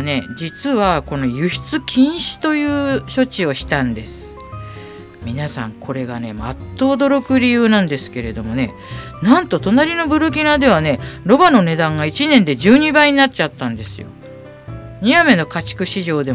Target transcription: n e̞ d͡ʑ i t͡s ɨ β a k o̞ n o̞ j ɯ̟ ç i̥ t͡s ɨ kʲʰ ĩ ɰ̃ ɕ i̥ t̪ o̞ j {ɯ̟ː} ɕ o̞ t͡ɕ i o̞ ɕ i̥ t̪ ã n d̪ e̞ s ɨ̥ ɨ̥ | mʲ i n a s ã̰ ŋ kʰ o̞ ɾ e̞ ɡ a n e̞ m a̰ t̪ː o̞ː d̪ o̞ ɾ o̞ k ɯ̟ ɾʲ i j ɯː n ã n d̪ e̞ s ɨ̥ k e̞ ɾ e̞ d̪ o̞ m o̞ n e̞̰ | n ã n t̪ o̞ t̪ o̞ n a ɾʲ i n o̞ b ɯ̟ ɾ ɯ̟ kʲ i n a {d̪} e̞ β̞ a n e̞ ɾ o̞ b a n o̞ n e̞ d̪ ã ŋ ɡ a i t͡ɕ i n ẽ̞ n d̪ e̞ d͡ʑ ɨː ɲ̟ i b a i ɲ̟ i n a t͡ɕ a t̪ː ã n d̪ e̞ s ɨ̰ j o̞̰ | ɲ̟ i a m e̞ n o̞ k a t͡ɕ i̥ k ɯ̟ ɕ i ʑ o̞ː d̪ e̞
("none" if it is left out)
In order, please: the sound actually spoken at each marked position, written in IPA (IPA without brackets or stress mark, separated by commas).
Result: ɯ̟ː, d̪